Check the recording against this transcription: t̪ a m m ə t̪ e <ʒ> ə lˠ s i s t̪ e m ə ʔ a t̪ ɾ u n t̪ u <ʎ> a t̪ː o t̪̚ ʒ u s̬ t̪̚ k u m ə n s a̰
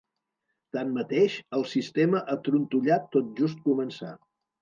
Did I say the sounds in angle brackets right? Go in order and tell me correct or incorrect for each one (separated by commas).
incorrect, correct